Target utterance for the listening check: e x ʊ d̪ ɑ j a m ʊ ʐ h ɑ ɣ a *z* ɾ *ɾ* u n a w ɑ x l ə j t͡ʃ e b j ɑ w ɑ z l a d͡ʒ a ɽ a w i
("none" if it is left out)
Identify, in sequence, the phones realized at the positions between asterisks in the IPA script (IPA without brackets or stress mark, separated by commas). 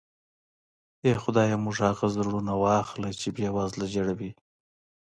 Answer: z, ɽ